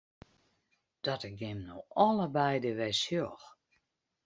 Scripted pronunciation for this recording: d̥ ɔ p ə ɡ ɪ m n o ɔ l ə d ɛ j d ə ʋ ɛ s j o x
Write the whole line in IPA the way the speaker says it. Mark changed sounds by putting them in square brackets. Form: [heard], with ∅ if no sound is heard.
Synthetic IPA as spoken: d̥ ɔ [t] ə ɡ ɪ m n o ɔ l ə [b] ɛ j d ə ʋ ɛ s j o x